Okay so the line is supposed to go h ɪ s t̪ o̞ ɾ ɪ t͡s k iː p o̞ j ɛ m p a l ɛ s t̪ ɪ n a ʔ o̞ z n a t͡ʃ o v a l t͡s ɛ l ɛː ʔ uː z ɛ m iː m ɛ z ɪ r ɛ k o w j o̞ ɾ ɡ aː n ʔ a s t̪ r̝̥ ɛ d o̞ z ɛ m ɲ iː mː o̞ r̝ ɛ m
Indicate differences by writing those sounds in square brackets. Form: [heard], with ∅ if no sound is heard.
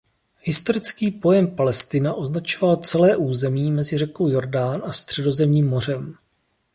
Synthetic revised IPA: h ɪ s t̪ o̞ ɾ ɪ t͡s k iː p o̞ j ɛ m p a l ɛ s t̪ ɪ n a ʔ o̞ z n a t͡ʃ o v a l t͡s ɛ l ɛː ʔ uː z ɛ m iː m ɛ z ɪ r ɛ k o w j o̞ ɾ [d] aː n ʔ a s t̪ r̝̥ ɛ d o̞ z ɛ m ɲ iː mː o̞ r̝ ɛ m